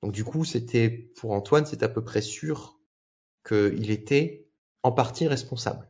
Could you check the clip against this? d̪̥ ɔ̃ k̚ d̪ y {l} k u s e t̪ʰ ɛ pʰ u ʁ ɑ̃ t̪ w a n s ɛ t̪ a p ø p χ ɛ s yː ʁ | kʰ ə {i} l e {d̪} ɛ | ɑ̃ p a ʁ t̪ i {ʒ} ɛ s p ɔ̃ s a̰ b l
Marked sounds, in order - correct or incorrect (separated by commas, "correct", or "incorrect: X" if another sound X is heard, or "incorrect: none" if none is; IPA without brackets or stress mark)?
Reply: incorrect: none, correct, incorrect: t̪, incorrect: ʁ